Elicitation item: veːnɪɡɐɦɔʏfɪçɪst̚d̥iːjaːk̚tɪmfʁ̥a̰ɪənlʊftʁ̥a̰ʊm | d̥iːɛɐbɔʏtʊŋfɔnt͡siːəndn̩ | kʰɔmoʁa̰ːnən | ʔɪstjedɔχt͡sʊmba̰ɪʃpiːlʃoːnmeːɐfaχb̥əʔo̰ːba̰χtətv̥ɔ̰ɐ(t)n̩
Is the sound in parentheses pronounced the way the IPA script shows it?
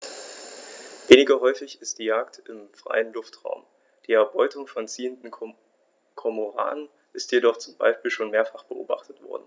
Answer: no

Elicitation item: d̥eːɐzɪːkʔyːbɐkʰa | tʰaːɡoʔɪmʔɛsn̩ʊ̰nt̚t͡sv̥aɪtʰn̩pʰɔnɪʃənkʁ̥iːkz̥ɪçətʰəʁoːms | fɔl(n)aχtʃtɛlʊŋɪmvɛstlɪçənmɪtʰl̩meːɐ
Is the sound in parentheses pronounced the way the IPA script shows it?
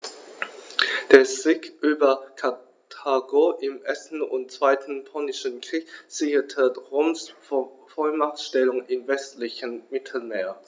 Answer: no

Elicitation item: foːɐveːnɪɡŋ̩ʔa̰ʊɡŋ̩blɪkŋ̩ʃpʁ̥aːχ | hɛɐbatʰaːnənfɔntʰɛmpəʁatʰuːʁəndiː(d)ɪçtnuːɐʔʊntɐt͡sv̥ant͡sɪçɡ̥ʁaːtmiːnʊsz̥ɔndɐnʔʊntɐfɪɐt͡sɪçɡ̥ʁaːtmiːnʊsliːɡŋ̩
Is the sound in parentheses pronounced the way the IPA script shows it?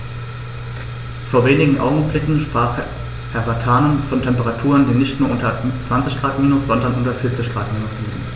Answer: no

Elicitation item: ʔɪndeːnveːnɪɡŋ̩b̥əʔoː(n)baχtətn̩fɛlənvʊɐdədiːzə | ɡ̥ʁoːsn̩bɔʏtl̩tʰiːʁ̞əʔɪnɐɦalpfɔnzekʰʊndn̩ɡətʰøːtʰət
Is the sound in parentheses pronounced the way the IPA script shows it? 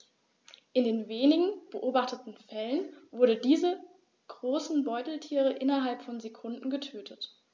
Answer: no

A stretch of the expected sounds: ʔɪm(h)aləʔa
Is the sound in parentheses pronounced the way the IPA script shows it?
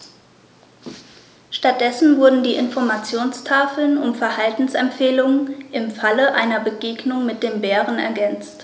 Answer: no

